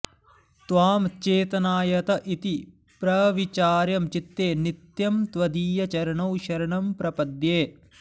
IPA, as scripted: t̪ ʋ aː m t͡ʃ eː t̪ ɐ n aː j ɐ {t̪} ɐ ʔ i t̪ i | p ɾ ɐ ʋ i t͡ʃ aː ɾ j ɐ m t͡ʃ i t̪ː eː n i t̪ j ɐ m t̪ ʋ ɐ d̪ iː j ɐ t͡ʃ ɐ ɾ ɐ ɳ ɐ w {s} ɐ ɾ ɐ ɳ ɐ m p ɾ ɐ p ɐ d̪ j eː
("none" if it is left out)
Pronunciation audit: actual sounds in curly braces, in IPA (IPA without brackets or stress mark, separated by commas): t̪, ʃ